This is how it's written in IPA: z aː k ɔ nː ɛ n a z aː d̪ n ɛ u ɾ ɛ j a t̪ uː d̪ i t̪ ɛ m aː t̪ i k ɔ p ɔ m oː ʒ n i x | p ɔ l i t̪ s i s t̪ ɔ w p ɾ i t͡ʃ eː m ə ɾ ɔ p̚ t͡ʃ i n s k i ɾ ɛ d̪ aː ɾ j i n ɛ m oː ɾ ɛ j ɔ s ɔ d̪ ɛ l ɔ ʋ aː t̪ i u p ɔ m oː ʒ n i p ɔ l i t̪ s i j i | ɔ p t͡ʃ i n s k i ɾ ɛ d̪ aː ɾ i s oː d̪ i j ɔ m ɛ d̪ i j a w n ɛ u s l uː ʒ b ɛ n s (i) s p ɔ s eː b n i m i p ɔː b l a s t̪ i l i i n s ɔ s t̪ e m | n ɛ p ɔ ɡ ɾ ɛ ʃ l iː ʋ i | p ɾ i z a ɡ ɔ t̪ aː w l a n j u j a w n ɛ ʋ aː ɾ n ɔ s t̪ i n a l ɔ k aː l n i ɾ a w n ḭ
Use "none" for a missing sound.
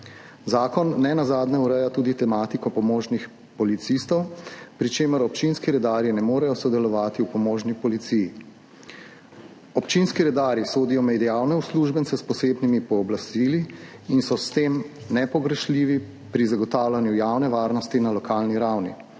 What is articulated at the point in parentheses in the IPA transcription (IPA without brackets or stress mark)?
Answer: ɛ